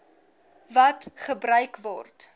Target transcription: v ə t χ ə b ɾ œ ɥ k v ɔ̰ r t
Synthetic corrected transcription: v ɐ t χ ə b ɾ œ ɥ k v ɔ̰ r t